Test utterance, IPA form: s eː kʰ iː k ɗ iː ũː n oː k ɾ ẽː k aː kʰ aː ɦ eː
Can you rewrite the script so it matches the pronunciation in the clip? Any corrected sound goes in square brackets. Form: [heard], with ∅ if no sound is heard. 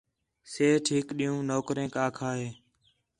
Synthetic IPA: s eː [ʈʰ] iː k ɗ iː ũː n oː k ɾ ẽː k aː kʰ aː ɦ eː